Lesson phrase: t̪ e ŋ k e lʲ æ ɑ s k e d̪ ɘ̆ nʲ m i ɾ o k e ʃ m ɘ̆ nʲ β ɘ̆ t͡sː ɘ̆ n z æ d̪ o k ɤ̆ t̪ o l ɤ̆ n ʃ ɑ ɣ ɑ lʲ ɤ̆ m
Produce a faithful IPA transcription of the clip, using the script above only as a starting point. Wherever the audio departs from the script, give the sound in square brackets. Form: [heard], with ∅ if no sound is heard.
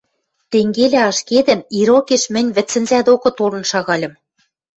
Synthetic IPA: t̪ e ŋ [ɡ] e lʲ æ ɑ [ʃ] k e d̪ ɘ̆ [∅] m i ɾ o k e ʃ m ɘ̆ nʲ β ɘ̆ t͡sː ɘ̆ n z æ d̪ o k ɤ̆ t̪ o l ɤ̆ n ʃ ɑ ɣ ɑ lʲ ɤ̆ m